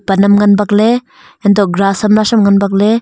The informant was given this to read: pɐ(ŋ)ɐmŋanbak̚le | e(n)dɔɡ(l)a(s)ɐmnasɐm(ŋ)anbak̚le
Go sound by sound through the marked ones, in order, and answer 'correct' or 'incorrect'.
incorrect, correct, incorrect, correct, correct

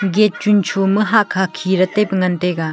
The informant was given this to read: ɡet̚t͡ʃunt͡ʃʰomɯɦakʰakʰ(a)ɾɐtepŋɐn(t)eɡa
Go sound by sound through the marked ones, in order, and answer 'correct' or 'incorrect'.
incorrect, correct

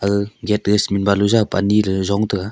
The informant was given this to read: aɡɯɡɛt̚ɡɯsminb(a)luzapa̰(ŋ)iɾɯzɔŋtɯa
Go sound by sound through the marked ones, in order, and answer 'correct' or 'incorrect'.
correct, incorrect

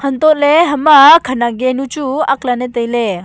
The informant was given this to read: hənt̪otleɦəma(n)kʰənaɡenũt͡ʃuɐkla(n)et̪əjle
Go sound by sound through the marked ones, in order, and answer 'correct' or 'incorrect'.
incorrect, correct

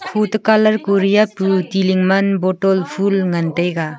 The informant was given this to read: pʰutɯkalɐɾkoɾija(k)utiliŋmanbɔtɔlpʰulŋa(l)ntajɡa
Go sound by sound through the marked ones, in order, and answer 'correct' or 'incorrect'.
incorrect, incorrect

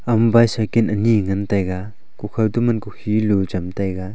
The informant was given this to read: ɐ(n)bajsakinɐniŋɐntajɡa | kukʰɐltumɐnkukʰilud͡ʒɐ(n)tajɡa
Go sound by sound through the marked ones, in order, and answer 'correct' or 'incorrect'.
incorrect, incorrect

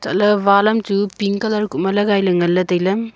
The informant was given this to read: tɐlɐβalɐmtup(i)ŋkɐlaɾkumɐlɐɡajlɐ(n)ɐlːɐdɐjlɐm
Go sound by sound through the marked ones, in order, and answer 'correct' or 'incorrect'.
correct, incorrect

